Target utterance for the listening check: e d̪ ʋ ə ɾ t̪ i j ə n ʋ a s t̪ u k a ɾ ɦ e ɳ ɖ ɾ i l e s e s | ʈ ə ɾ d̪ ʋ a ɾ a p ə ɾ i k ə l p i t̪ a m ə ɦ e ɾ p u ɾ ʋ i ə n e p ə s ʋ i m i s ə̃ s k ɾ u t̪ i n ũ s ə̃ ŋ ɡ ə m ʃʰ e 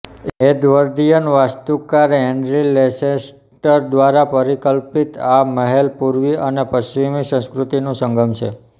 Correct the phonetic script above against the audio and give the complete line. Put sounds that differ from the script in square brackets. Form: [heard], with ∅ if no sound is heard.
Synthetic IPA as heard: e d̪ ʋ ə ɾ [d̪] i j ə n ʋ a s t̪ u k a ɾ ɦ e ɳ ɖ ɾ i l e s e s | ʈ ə ɾ d̪ ʋ a ɾ a p ə ɾ i k ə l p i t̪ a m ə ɦ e [l] p u ɾ ʋ i ə n e p ə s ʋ i m i s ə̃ s k ɾ u t̪ i n ũ s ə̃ ŋ ɡ ə m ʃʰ e